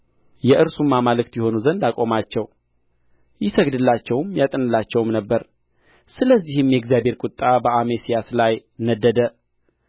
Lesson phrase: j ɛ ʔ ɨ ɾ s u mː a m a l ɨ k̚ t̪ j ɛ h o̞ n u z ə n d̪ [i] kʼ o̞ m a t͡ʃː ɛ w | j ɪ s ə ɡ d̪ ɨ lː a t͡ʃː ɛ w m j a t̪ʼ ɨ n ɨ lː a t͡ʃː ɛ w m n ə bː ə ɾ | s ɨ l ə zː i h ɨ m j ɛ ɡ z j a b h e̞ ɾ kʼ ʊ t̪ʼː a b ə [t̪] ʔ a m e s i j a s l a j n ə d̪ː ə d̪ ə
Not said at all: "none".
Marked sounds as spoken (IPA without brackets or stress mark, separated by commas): a, none